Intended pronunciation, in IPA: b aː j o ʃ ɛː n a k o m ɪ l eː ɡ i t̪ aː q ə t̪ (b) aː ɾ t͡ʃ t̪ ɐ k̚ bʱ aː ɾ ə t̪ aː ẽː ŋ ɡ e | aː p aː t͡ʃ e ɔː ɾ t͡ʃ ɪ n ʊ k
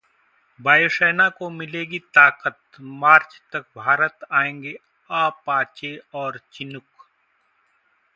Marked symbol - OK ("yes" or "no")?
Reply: no